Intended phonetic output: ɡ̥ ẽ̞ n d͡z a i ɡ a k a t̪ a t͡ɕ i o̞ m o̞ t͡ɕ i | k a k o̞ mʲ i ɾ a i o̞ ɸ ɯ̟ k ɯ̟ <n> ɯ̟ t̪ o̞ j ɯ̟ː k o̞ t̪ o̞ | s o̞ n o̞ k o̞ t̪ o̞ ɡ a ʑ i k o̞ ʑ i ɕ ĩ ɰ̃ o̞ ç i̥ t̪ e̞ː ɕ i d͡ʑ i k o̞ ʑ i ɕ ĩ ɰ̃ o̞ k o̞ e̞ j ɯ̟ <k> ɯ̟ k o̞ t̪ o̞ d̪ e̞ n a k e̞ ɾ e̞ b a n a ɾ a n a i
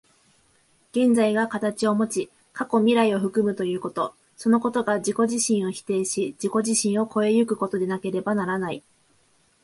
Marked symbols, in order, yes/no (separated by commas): no, yes